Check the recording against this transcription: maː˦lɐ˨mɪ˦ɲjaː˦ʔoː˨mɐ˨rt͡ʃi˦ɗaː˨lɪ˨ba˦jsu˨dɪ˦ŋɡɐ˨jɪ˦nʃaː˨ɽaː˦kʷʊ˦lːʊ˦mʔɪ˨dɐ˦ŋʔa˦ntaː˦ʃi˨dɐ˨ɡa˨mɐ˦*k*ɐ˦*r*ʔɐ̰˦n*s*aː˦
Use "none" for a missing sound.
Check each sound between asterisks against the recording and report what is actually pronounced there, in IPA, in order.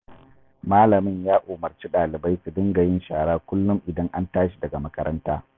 k, ɾ, t

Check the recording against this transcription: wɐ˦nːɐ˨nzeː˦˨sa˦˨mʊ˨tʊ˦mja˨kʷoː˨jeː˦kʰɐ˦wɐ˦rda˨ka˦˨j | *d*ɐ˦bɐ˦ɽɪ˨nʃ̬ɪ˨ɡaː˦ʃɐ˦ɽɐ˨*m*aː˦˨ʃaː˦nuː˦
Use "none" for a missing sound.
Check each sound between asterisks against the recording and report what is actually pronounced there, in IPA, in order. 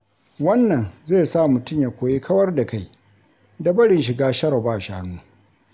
d, b

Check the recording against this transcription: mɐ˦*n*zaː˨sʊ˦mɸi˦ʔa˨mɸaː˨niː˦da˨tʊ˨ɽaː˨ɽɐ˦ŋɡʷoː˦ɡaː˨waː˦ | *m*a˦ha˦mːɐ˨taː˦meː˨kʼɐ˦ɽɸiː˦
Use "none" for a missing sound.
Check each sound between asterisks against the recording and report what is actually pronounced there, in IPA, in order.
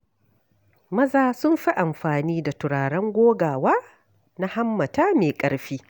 none, n

